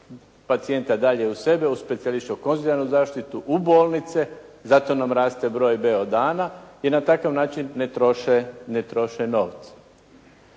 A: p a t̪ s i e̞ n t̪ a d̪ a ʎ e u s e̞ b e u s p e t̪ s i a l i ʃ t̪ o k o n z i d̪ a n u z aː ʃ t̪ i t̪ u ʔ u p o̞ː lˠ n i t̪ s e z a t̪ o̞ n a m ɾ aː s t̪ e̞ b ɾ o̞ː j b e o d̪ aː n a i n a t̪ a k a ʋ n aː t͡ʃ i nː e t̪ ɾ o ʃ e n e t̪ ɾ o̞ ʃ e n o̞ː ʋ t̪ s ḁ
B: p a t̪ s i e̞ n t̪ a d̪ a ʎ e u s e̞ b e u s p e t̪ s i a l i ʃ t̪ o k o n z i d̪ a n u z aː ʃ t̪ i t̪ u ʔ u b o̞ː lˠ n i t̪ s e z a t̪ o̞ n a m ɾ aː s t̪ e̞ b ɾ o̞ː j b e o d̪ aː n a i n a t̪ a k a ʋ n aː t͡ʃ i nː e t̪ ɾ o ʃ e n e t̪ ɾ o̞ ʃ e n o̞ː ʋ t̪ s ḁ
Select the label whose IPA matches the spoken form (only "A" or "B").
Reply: B